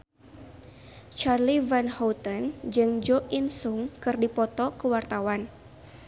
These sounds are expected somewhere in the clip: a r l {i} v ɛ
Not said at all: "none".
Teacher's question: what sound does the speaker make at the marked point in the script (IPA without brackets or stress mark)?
i